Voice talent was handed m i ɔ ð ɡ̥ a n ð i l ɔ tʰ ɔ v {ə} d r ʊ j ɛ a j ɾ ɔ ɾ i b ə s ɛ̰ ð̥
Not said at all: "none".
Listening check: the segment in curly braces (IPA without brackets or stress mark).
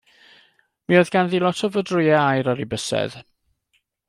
ə